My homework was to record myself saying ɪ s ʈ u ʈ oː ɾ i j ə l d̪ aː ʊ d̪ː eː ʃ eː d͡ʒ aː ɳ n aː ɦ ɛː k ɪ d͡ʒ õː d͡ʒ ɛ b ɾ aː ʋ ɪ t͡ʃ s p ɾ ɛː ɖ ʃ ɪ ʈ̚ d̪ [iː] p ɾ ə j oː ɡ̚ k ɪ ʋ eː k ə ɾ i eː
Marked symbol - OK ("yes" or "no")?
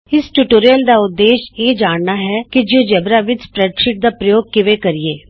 no